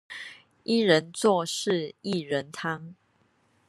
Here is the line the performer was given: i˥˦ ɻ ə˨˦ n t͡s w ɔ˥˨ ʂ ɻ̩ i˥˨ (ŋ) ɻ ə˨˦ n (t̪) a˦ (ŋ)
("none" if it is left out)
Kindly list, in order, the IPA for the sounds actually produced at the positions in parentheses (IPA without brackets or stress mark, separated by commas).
none, t̪ʰ, ŋ